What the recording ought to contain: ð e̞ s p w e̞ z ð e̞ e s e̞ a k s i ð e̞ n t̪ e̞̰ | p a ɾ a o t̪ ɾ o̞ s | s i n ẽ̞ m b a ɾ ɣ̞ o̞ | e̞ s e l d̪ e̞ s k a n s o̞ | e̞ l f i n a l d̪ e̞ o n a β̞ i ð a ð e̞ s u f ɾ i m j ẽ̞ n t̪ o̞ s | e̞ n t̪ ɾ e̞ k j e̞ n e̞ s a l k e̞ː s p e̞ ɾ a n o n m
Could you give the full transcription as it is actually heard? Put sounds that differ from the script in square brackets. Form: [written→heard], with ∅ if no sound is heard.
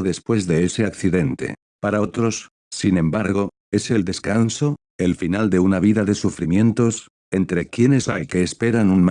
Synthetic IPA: ð e̞ s p w e̞ z ð e̞ e s e̞ a k [s→θ] i ð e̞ n t̪ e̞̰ | p a ɾ a o t̪ ɾ o̞ s | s i n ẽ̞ m b a ɾ ɣ̞ o̞ | e̞ s e l d̪ e̞ s k a n s o̞ | e̞ l f i n a l d̪ e̞ [o→u] n a β̞ i ð a ð e̞ s u f ɾ i m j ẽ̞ n t̪ o̞ s | e̞ n t̪ ɾ e̞ k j e̞ n e̞ s a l k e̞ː s p e̞ ɾ a n [o→u] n m